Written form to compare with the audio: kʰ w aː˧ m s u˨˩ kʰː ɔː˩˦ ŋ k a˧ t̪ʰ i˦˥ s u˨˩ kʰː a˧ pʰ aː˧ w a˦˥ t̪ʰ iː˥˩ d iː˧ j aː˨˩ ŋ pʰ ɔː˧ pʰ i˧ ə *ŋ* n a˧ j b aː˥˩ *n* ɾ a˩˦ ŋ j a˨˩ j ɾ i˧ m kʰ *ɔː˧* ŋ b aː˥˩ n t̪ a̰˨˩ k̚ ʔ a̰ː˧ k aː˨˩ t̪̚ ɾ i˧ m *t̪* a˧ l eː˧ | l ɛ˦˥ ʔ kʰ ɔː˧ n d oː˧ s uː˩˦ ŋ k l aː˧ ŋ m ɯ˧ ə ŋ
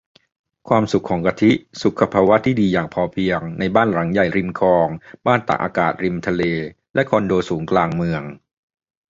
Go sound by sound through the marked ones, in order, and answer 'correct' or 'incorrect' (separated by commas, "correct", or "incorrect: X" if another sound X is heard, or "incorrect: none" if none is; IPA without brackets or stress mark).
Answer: correct, correct, correct, incorrect: t̪ʰ